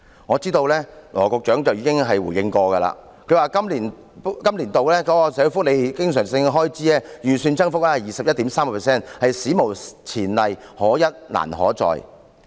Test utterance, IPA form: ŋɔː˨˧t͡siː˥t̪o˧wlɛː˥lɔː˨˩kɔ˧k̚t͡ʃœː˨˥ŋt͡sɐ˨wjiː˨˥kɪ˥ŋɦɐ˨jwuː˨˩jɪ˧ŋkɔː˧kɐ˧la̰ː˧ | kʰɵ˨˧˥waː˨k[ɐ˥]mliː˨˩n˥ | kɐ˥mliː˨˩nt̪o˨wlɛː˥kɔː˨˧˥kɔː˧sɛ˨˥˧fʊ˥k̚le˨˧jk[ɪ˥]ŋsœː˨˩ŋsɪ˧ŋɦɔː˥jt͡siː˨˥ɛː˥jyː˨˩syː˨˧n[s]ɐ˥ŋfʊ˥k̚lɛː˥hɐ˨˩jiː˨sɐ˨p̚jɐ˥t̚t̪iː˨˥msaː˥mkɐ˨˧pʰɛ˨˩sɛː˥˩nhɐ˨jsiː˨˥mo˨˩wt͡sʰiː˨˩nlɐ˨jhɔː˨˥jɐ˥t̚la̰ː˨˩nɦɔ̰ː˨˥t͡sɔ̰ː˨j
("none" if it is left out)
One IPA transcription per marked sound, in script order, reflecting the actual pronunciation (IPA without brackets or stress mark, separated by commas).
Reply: ɐ˥, ɪ˥, t͡s